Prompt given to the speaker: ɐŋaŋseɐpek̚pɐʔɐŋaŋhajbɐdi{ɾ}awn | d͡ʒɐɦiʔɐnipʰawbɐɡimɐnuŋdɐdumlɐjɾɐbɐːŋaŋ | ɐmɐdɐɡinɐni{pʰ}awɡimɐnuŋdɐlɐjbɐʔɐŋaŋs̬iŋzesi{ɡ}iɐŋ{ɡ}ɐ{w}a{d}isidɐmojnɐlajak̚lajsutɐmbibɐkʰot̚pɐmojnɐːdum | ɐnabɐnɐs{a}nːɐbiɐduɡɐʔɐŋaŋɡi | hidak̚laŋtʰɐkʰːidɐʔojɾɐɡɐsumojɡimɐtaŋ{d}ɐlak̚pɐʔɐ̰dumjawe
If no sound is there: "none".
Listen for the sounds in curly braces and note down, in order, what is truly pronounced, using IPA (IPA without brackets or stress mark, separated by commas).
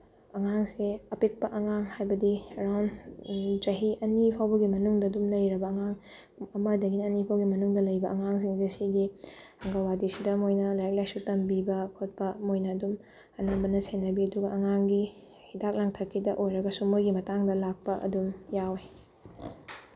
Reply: ɾ, pʰ, ɡ, ɡ, w, d, e, d